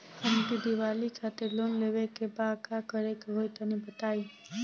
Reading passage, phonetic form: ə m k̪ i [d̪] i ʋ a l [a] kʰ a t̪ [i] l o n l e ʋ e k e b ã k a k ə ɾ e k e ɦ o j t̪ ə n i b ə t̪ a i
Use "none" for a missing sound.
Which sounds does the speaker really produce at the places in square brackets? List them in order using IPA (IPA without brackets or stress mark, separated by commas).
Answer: d̪, i, e